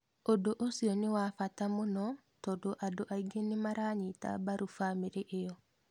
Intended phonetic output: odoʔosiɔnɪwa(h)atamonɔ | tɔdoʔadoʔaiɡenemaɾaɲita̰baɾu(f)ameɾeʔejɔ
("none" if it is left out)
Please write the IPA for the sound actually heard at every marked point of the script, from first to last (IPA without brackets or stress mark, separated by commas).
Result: f, f